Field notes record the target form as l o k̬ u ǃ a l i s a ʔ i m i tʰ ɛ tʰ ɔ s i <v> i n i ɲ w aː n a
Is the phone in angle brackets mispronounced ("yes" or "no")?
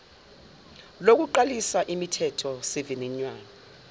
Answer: no